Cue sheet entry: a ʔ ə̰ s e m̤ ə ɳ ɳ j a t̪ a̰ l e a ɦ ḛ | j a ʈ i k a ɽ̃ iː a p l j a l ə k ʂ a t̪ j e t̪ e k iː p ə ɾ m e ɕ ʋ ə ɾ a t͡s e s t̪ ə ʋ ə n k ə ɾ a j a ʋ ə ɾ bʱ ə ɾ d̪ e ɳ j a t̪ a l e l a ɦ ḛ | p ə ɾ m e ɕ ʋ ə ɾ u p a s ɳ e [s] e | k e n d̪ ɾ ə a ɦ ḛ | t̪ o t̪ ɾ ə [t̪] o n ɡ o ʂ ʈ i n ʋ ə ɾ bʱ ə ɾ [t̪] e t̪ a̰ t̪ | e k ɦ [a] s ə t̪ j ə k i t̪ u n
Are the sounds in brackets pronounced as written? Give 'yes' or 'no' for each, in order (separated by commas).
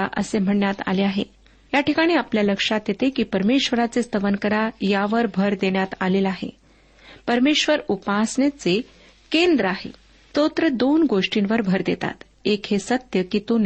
no, no, no, no